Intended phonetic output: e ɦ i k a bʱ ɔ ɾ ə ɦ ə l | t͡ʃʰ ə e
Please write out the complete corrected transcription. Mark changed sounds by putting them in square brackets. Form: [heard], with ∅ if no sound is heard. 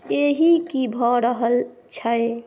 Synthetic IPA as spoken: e ɦ i k [i] bʱ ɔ ɾ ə ɦ ə l | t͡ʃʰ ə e